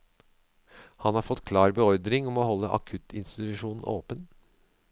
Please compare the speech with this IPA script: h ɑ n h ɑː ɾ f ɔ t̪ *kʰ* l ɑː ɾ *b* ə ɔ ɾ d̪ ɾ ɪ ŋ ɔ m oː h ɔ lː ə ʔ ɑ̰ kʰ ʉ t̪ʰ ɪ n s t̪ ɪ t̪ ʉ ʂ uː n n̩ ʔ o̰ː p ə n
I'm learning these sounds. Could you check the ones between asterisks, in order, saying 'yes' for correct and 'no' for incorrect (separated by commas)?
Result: yes, yes